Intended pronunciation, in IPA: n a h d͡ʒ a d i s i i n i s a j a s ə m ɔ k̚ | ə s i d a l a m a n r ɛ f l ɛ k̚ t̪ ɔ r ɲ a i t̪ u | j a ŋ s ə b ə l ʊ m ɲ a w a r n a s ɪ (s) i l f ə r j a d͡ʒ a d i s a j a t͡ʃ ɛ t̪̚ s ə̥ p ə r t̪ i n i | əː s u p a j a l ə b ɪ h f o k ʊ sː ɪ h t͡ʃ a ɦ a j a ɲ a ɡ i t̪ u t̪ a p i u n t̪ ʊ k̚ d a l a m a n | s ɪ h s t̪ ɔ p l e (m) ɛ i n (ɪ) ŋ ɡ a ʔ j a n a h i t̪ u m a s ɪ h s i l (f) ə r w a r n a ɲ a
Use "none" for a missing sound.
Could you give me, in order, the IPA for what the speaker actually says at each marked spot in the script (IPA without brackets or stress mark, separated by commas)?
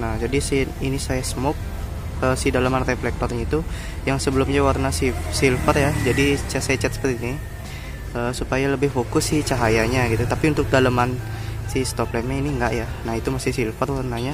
s, m, i, f